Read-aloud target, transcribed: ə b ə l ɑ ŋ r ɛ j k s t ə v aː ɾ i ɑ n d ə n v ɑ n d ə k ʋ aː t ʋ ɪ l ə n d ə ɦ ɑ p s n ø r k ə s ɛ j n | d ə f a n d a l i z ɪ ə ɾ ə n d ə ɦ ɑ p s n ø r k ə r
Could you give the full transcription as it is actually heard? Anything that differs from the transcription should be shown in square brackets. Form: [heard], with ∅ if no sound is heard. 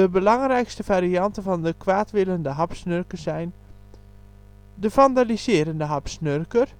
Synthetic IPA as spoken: ə b ə l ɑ ŋ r ɛ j k s t ə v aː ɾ i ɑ n [t] ə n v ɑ n d ə k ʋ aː t ʋ ɪ l ə n d ə ɦ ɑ p s n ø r k ə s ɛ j n | d ə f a n d a l i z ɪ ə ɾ ə n d ə ɦ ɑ p s n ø r k ə r